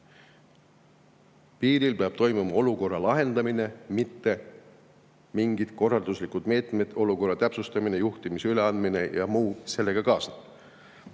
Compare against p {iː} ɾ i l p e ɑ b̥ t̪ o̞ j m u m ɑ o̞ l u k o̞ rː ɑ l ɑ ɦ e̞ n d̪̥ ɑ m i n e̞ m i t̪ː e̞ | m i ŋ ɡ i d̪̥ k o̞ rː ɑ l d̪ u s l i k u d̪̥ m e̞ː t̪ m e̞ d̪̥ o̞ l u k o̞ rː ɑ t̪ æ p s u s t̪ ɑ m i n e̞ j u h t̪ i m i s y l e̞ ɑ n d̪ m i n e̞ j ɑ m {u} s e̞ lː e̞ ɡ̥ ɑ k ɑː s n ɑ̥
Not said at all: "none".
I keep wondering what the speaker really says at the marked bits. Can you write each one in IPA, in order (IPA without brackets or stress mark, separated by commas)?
iː, uː